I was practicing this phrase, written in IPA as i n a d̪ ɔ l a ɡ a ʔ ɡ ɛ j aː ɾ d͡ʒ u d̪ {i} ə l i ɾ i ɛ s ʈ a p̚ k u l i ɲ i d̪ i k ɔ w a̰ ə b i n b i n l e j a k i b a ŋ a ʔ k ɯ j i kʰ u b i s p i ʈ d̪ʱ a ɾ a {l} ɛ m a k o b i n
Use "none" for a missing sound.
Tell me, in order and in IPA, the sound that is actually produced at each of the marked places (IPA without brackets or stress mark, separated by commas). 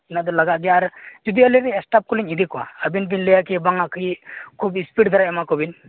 i, none